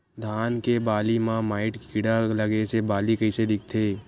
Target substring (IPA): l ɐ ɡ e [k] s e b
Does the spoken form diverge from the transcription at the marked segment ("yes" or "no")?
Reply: yes